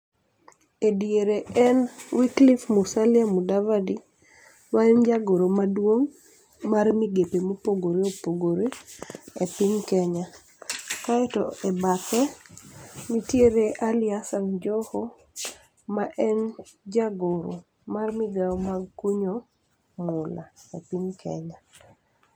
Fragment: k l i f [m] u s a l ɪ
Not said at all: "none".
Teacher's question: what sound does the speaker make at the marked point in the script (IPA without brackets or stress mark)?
m